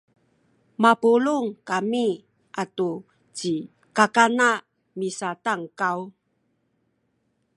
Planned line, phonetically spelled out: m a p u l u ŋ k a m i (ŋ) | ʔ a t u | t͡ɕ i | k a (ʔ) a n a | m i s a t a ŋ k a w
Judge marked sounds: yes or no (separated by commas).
no, no